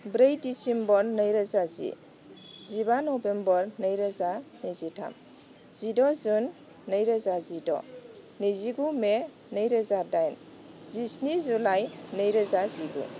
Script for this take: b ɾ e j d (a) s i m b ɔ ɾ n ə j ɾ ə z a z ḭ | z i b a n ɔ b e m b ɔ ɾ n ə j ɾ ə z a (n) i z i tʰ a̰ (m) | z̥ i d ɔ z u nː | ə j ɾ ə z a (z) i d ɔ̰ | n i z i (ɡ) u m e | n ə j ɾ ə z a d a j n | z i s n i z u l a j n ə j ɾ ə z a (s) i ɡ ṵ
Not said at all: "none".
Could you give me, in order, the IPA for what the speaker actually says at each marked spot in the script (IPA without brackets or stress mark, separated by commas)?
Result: i, n, m, z, ɡ, z